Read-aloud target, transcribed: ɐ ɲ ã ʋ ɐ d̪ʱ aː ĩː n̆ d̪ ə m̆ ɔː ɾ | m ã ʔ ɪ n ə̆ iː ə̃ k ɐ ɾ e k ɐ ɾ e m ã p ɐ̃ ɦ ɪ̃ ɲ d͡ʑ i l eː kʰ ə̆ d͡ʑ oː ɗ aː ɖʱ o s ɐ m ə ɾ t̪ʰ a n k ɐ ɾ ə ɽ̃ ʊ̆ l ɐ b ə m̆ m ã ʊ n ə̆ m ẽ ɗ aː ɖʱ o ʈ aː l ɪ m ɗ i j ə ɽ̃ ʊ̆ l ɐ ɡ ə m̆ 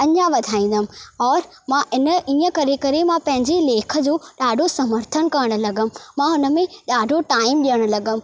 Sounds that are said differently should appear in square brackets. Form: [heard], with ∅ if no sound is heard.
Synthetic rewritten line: ɐ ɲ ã ʋ ɐ d̪ʱ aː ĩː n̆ d̪ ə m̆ ɔː ɾ | m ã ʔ ɪ n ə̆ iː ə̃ k ɐ ɾ e k ɐ ɾ e m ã p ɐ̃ ɦ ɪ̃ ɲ d͡ʑ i l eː kʰ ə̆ d͡ʑ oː ɗ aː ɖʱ o s ɐ m ə ɾ t̪ʰ [ə] n k ɐ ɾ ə ɽ̃ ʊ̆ l ɐ [ɡ] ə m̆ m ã ʊ n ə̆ m ẽ ɗ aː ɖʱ o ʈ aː [∅] ɪ m ɗ i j ə ɽ̃ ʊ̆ l ɐ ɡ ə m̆

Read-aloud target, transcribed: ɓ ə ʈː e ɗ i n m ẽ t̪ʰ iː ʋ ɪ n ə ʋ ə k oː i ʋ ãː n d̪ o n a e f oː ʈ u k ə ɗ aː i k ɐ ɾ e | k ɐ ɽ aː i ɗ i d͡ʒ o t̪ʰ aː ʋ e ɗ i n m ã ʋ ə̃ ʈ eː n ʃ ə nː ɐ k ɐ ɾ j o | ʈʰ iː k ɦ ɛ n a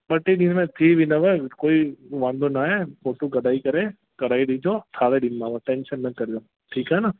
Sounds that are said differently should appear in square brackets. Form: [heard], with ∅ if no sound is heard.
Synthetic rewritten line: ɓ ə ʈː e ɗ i n m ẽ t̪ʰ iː ʋ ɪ n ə ʋ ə k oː i ʋ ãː n d̪ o n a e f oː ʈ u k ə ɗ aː i k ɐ ɾ e | k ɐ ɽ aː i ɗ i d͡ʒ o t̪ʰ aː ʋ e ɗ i n m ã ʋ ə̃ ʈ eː n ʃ ə nː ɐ k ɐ ɾ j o | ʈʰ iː k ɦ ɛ n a

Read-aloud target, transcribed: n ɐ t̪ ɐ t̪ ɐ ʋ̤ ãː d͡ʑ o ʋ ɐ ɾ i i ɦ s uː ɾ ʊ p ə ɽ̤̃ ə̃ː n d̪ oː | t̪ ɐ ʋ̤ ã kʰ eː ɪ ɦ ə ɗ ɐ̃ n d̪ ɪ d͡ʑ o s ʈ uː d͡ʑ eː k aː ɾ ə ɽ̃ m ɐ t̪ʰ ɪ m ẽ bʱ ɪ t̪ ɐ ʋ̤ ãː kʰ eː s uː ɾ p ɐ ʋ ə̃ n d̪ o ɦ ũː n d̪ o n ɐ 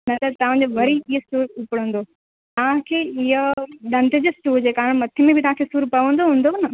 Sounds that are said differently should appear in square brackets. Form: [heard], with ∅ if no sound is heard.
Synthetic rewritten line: n ɐ t̪ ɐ t̪ ɐ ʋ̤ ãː d͡ʑ o ʋ ɐ ɾ i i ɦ s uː ɾ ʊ p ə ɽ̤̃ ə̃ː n d̪ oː | t̪ ɐ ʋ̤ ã kʰ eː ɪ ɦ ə ɗ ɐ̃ n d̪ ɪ d͡ʑ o s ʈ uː d͡ʑ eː k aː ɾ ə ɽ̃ m ɐ t̪ʰ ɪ m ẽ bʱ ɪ t̪ ɐ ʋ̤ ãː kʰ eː s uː ɾ p ɐ ʋ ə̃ n d̪ o ɦ ũː n d̪ o n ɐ

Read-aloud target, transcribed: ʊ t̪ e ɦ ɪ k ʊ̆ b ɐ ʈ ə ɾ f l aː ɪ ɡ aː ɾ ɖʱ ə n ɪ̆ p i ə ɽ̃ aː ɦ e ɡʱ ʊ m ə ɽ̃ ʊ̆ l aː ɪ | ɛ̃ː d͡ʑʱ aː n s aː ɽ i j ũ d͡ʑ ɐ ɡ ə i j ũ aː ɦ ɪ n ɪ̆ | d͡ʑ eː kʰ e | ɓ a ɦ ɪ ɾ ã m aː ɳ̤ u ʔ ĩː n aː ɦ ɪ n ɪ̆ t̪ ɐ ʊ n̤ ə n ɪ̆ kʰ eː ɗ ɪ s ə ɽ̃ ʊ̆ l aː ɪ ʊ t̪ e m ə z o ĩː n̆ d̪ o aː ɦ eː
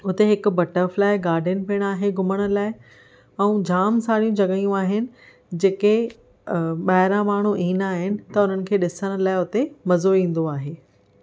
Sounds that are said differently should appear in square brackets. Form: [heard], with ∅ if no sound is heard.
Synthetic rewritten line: ʊ t̪ e ɦ ɪ k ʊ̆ b ɐ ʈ ə ɾ f l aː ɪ ɡ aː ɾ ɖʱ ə n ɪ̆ p i ə ɽ̃ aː ɦ e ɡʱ ʊ m ə ɽ̃ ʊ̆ l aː ɪ | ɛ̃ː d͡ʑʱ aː [m] s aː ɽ i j ũ d͡ʑ ɐ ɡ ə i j ũ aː ɦ ɪ n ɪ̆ | d͡ʑ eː [k] e | ɓ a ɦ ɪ ɾ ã m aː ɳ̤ u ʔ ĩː n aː ɦ ɪ n ɪ̆ t̪ ɐ ʊ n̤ ə n ɪ̆ kʰ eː ɗ ɪ s ə ɽ̃ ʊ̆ l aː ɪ ʊ t̪ e m [ɐ] z o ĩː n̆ d̪ o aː ɦ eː

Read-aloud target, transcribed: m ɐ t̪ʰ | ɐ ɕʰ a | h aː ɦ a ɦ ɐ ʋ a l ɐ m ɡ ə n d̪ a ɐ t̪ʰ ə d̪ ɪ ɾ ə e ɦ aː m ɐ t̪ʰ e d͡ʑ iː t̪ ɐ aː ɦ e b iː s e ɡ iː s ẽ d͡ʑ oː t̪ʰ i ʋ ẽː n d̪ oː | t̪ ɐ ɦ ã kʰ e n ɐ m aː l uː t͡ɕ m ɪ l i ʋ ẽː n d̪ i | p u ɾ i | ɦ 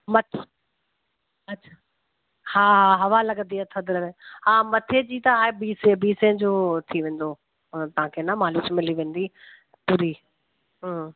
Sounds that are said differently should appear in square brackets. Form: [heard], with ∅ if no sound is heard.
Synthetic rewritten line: m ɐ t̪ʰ | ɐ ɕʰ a | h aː ɦ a ɦ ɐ ʋ a l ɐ [∅] ɡ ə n d̪ [i] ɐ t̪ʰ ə d̪ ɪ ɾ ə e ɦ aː m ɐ t̪ʰ e d͡ʑ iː t̪ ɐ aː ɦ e b iː s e [b] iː s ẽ d͡ʑ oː t̪ʰ i ʋ ẽː n d̪ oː | t̪ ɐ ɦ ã kʰ e n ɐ m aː l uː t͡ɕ m ɪ l i ʋ ẽː n d̪ i | p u ɾ i | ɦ

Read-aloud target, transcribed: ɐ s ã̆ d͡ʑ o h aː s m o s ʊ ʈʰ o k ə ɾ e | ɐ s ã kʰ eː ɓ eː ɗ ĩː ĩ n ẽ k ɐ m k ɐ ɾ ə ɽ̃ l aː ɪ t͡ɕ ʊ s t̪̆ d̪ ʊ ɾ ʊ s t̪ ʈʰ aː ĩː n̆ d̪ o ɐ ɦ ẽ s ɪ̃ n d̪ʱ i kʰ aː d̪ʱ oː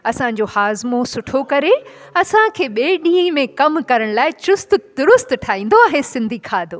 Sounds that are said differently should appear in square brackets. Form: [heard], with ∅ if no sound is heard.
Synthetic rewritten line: ɐ s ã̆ d͡ʑ o h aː [z] m o s ʊ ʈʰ o k [ɐ] ɾ e | ɐ s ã kʰ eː ɓ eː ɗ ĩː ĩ [m] ẽ k ɐ m k ɐ ɾ ə ɽ̃ l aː ɪ t͡ɕ ʊ s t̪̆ d̪ ʊ ɾ ʊ s t̪ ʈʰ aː ĩː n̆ d̪ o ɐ ɦ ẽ s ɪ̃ n d̪ʱ i kʰ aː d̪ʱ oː

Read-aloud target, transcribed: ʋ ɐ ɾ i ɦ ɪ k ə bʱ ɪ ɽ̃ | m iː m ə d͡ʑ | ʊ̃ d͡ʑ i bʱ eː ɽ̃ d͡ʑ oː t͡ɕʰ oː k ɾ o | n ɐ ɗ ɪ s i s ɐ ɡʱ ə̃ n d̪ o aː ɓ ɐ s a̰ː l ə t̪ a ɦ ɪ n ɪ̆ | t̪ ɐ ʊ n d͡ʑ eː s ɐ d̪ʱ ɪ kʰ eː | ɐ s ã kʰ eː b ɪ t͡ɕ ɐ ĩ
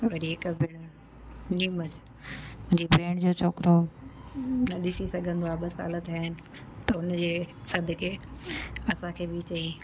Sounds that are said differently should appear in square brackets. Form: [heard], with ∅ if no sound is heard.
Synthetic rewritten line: ʋ ɐ ɾ i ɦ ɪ k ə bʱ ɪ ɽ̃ | [n] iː m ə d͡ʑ | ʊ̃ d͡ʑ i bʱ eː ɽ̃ d͡ʑ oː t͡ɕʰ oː k ɾ o | n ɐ ɗ ɪ s i s ɐ ɡʱ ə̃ n d̪ o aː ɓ ɐ s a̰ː l ə t̪ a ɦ ɪ n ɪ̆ | t̪ ɐ ʊ n d͡ʑ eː s ɐ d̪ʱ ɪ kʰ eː | ɐ s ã kʰ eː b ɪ t͡ɕ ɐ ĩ

